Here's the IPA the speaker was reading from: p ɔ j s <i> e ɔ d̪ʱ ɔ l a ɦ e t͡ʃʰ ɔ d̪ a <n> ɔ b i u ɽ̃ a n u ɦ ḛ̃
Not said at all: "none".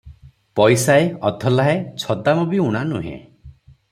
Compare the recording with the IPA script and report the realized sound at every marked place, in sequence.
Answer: a, m

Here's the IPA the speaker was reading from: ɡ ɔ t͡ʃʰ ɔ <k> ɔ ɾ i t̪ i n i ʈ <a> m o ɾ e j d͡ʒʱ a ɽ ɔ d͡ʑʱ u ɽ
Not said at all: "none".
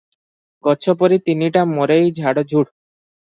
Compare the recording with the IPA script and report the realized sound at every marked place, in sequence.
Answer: p, a

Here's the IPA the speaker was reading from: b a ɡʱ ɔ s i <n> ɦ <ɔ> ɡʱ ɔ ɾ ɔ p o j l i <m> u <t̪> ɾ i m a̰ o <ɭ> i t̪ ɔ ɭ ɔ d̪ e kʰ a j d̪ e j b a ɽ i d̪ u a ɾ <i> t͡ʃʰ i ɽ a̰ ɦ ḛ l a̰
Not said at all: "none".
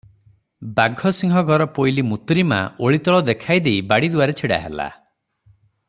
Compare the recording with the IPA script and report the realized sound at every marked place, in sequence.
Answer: ŋ, ɔ, m, t̪, ɭ, e

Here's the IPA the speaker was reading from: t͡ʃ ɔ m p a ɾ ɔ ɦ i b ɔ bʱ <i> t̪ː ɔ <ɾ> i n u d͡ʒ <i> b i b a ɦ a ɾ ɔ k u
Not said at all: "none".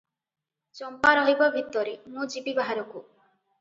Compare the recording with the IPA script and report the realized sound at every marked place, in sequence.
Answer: i, ɾ, i

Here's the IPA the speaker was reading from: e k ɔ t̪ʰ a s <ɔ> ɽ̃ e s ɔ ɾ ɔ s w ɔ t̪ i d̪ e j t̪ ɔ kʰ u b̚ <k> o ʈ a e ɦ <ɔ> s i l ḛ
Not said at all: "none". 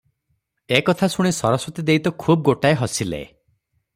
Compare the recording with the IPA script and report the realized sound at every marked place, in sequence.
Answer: u, ɡ, ɔ

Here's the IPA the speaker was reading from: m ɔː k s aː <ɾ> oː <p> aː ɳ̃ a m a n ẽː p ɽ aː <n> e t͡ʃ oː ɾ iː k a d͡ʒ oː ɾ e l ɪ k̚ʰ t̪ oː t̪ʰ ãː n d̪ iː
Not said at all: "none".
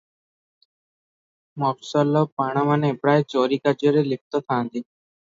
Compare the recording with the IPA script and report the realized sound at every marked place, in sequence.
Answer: l, p, none

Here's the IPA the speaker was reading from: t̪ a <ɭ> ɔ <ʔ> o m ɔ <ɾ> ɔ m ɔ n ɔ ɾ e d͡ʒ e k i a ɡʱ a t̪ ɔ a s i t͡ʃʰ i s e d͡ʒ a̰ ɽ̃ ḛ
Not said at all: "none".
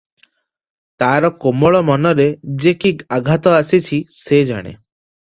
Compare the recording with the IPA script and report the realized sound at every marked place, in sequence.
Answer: ɾ, k, ɭ

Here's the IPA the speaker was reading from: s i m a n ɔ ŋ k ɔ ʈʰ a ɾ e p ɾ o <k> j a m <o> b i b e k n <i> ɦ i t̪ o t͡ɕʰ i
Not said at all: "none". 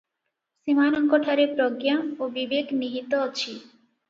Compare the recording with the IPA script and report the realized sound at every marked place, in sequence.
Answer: ɡ, o, i

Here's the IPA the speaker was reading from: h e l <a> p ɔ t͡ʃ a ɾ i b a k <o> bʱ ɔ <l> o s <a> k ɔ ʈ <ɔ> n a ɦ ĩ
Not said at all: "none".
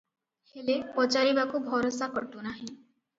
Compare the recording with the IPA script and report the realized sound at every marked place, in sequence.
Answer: e, u, ɾ, a, u

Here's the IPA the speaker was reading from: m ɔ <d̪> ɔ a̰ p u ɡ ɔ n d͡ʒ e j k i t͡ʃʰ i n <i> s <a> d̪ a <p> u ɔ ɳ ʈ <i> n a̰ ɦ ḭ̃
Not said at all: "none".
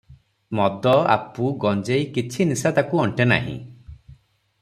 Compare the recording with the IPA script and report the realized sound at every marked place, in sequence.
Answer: d̪, i, a, k, e

